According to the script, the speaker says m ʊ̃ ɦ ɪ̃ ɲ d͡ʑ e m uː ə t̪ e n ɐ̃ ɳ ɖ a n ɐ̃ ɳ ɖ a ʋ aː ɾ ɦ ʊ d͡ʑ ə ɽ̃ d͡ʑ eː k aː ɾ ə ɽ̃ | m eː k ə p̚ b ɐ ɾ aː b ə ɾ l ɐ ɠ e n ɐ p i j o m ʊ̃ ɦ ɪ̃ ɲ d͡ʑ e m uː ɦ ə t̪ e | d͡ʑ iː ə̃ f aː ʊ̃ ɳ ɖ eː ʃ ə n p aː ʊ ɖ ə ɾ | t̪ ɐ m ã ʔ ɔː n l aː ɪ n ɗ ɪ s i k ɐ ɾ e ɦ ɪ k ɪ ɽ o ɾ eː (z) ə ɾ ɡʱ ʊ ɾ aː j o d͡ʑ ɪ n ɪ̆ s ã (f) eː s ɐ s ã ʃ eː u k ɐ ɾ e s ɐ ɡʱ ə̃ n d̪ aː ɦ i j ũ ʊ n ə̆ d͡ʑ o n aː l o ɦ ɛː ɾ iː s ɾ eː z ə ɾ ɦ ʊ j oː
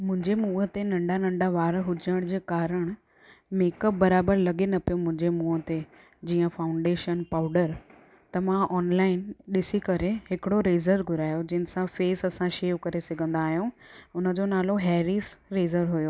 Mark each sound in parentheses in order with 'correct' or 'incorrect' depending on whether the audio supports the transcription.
correct, correct

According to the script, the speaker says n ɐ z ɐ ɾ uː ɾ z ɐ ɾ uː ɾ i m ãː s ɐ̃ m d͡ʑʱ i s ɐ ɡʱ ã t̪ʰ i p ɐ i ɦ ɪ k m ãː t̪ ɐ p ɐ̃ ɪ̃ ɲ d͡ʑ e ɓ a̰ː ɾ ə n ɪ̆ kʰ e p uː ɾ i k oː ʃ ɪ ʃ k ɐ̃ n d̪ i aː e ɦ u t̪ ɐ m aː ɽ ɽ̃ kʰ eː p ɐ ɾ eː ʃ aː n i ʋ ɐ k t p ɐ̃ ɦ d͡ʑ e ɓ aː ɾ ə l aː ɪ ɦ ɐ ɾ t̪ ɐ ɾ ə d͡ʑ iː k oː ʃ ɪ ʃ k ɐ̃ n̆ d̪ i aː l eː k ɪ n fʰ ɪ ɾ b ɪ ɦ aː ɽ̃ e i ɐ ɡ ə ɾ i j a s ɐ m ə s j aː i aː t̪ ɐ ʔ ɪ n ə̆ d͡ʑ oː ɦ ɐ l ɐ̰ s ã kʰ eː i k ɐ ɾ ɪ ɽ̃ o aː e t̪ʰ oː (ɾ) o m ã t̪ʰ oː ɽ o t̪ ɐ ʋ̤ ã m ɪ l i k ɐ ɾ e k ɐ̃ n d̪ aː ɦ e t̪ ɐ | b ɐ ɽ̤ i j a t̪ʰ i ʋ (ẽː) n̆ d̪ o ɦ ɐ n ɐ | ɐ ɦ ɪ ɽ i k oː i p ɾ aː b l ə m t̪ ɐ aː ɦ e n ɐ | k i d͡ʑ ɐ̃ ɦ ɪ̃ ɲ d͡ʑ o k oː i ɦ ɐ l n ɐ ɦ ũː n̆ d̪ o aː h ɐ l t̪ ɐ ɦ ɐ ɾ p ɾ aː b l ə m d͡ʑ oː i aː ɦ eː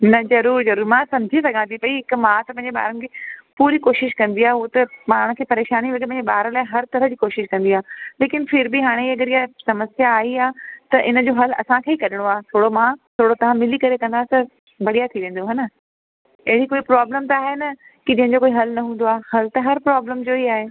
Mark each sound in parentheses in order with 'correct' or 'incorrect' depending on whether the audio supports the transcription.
incorrect: ɽ, correct

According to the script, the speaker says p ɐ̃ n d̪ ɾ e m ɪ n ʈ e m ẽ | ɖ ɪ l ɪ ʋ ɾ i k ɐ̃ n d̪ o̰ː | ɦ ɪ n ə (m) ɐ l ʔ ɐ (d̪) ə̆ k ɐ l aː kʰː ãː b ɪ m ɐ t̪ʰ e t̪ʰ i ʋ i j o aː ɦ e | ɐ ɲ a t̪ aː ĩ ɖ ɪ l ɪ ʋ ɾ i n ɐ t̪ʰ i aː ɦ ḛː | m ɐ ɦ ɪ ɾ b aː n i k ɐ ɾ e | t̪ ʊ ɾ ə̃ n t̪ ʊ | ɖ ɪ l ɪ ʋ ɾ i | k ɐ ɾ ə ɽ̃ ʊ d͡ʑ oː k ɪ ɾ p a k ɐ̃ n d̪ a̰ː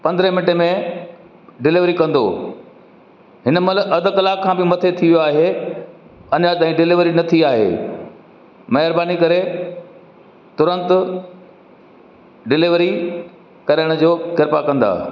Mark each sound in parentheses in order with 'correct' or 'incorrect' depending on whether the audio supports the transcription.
correct, correct

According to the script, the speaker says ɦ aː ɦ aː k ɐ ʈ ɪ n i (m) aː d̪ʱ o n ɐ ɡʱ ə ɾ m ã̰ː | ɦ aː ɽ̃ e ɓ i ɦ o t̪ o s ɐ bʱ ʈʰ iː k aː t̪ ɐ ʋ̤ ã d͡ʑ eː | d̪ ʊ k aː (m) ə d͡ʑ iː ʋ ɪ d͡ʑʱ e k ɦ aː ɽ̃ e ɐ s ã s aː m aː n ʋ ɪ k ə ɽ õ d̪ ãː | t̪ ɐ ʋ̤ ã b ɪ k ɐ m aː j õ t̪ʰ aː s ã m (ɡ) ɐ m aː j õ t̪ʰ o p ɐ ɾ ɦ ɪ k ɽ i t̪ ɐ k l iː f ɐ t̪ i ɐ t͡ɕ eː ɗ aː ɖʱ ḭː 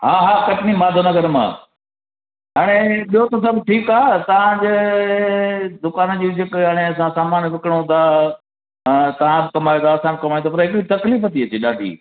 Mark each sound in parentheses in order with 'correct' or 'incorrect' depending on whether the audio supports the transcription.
correct, incorrect: n, incorrect: k

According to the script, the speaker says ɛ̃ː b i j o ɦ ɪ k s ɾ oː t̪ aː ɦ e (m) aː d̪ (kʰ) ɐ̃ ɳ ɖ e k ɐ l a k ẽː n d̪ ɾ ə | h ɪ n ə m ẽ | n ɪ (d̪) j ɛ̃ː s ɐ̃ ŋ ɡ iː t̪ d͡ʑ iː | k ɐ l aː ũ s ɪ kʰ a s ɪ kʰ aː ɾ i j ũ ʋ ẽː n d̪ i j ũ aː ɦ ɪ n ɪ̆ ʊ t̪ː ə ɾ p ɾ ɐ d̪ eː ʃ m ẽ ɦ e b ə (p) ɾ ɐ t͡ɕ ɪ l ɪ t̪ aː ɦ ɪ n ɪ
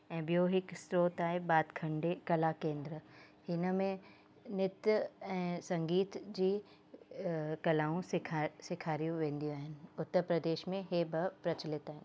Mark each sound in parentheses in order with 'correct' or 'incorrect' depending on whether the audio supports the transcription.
incorrect: b, correct, incorrect: t̪, correct

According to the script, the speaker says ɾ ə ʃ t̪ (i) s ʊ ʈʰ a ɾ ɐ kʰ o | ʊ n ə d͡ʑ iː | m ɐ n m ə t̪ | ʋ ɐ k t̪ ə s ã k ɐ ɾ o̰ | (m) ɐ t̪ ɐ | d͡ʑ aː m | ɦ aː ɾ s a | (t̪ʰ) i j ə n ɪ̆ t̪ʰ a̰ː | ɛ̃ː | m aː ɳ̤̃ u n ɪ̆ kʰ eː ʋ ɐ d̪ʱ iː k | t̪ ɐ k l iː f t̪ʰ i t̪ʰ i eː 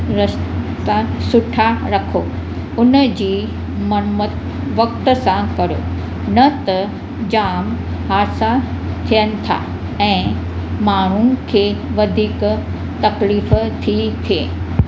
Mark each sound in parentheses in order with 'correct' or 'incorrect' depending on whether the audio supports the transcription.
incorrect: a, incorrect: n, correct

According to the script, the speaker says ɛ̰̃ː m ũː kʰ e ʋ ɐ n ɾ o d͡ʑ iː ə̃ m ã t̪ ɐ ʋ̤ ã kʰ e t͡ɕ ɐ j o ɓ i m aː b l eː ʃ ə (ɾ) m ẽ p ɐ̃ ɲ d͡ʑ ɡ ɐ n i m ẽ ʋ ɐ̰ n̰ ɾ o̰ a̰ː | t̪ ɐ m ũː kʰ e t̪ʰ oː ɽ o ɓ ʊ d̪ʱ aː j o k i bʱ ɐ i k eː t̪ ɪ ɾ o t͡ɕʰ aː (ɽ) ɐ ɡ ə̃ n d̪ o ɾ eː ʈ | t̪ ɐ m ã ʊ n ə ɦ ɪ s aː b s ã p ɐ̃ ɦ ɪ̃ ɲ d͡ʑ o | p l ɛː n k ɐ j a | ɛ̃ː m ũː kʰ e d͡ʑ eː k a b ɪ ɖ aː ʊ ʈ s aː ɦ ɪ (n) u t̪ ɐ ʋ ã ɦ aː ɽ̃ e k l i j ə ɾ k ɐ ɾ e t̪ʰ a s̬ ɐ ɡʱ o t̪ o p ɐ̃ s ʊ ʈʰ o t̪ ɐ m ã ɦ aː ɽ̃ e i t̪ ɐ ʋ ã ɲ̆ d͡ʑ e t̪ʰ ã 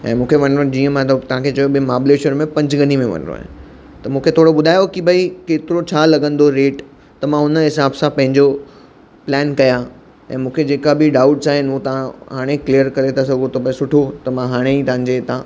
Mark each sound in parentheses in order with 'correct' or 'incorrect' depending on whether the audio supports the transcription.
correct, incorrect: l, correct

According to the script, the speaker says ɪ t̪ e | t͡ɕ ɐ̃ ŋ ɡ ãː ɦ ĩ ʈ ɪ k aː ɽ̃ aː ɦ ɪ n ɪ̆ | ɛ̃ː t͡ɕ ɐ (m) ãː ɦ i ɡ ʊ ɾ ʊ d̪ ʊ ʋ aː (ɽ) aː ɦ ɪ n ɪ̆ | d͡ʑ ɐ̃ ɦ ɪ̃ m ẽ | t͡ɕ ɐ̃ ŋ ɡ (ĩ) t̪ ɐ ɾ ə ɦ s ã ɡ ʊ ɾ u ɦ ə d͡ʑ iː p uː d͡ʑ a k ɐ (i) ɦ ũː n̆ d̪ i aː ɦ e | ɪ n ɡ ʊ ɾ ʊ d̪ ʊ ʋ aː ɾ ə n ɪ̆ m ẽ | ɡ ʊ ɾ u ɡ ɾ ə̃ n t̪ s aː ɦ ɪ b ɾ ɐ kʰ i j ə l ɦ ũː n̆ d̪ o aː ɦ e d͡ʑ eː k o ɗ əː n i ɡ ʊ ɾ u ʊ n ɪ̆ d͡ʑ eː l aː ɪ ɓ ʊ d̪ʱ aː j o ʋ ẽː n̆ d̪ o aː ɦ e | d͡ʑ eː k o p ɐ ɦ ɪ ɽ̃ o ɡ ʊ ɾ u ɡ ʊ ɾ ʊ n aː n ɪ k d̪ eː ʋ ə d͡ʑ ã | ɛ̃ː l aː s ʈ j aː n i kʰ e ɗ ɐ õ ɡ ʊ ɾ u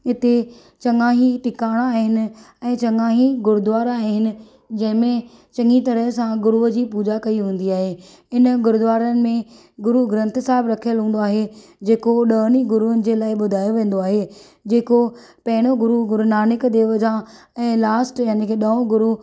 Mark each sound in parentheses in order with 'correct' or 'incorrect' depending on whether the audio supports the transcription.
incorrect: ŋ, incorrect: ɾ, incorrect: i, correct

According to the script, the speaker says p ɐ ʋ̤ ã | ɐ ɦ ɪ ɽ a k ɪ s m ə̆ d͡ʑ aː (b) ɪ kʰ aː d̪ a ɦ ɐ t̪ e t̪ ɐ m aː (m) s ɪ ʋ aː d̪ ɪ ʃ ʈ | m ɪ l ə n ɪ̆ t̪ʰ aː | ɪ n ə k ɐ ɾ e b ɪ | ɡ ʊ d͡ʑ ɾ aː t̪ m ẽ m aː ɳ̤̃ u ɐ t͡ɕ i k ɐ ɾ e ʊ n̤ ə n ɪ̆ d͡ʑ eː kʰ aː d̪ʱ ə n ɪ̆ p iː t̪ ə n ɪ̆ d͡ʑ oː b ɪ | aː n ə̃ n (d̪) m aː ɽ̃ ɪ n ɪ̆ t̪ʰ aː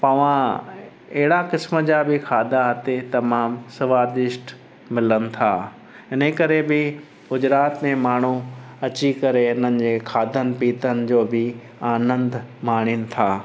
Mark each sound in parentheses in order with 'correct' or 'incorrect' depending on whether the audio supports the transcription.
correct, correct, correct

